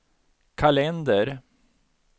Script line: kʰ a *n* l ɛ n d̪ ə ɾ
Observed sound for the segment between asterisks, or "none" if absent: none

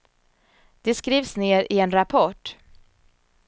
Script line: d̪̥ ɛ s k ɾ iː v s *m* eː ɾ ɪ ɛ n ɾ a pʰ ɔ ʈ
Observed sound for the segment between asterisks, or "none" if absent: n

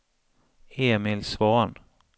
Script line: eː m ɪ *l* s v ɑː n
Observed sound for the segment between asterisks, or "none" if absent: l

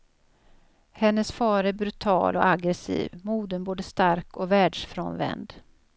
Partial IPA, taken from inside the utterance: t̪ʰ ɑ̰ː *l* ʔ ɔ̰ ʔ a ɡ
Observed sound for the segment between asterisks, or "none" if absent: l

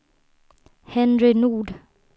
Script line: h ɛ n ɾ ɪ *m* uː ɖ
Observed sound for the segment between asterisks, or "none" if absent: n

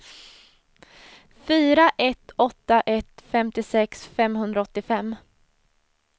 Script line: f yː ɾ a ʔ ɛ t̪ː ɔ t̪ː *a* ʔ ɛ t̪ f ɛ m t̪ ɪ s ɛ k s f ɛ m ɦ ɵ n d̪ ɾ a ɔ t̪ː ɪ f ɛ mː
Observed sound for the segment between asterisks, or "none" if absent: a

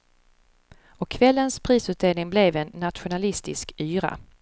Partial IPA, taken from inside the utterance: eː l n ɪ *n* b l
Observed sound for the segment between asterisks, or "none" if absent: ŋ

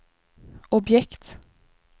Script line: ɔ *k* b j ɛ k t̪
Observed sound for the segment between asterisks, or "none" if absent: none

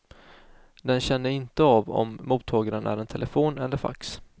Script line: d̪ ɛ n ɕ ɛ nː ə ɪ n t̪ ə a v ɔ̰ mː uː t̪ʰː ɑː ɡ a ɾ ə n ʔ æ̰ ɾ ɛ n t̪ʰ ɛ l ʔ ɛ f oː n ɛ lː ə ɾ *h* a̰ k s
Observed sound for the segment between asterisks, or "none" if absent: f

